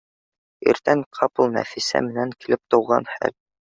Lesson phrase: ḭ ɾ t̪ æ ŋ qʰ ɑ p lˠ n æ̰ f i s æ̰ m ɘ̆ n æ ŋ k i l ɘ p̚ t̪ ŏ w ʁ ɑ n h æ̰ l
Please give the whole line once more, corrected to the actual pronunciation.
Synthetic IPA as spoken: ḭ ɾ t̪ æ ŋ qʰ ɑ p lˠ n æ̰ f i s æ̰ m ɘ̆ n æ ŋ k i l ɘ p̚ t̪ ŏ w ʁ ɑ n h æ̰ l